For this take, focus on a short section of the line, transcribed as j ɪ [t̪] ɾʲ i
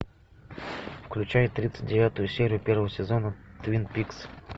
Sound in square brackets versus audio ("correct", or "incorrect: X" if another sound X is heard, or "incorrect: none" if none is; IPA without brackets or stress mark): correct